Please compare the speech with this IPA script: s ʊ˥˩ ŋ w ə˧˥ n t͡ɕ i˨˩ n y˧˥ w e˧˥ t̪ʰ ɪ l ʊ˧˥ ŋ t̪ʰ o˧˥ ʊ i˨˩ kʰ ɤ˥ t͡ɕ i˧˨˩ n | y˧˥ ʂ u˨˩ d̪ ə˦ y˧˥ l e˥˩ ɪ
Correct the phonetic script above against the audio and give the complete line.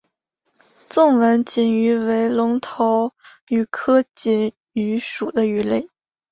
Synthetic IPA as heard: t͡s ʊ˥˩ ŋ w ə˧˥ n t͡ɕ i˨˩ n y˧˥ w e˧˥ ɪ l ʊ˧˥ ŋ t̪ʰ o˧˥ ʊ y˨˩ kʰ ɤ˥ t͡ɕ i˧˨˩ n | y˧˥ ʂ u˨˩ d̪ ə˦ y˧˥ l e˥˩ ɪ